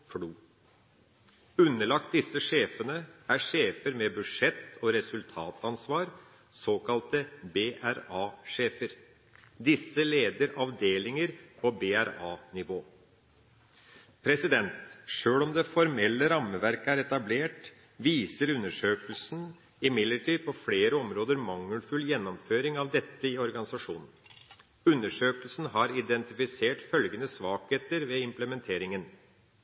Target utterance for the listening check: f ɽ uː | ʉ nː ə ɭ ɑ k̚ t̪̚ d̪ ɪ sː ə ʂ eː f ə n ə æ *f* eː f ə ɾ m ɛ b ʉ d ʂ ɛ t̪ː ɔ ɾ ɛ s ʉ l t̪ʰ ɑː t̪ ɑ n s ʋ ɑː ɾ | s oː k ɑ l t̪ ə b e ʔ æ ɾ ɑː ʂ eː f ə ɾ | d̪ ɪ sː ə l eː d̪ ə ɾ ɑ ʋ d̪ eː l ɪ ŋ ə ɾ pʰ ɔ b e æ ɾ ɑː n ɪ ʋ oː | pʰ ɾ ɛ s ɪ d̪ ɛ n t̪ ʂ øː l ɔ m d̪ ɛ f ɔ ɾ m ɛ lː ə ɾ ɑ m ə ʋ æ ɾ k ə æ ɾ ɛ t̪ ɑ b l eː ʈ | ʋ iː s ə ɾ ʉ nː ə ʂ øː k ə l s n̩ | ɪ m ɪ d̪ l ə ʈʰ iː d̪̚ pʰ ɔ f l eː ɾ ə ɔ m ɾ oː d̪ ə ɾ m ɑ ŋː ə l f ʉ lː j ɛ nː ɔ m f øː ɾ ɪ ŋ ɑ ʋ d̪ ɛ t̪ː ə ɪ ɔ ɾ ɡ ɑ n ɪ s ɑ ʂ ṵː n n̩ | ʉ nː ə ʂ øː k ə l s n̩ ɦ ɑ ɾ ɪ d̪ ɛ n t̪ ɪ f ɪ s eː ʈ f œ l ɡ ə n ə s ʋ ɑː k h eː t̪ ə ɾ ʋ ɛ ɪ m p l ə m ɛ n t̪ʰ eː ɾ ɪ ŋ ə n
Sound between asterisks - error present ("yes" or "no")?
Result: yes